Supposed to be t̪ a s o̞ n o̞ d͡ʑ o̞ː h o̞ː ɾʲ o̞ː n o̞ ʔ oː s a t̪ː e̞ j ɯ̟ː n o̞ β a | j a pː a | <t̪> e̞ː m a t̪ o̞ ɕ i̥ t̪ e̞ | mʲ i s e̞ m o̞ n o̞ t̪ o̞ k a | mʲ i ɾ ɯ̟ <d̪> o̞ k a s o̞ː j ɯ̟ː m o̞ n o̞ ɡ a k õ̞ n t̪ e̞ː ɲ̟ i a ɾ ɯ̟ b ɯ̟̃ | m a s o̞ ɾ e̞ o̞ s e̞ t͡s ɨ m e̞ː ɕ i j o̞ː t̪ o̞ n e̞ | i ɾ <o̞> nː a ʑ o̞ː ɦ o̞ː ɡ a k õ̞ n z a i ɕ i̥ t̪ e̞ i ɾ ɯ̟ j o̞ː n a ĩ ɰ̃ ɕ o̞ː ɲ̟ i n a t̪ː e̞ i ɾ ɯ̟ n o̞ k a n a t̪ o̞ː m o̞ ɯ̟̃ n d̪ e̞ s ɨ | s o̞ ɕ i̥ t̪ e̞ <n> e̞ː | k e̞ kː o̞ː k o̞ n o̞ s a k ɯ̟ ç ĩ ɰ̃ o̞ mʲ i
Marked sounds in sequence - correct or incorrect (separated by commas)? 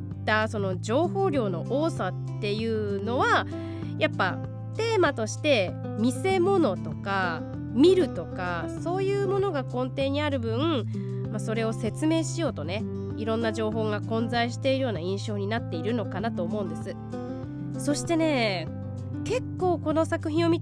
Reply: correct, incorrect, incorrect, correct